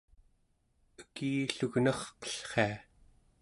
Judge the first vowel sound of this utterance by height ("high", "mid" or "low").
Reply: mid